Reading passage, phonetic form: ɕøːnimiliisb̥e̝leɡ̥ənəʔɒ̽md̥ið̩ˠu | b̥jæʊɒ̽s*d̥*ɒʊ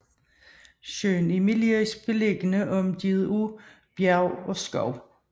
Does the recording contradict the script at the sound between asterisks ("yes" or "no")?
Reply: yes